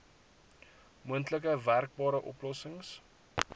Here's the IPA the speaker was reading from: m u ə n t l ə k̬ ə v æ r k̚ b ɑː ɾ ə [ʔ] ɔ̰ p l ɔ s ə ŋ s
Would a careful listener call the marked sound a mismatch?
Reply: no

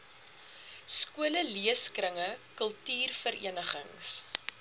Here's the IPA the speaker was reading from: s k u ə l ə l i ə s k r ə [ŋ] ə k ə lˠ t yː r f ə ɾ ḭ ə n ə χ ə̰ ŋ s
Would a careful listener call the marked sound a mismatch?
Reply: no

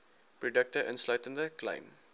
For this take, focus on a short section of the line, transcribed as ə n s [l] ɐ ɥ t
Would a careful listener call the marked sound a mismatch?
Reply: no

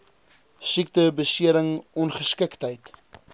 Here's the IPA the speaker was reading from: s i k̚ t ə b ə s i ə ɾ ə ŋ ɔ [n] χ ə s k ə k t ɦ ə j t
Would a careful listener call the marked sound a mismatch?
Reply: no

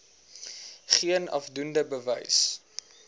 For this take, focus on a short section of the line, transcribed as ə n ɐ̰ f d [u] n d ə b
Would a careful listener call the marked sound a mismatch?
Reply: no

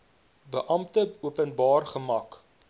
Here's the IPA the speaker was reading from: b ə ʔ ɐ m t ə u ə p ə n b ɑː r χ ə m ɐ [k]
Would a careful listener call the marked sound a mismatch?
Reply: no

